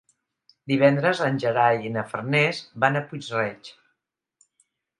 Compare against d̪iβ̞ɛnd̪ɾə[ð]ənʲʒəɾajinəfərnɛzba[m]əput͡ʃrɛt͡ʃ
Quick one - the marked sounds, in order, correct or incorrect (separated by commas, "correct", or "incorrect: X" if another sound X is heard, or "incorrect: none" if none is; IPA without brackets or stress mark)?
incorrect: z, incorrect: n